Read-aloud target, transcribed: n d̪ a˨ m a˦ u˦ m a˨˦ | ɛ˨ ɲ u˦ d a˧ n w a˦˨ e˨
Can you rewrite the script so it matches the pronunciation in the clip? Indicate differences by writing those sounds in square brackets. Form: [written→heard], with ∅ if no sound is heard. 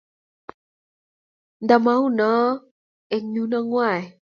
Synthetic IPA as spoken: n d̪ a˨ m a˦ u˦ [m→n] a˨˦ | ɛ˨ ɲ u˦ [d→n] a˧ [n→ŋ] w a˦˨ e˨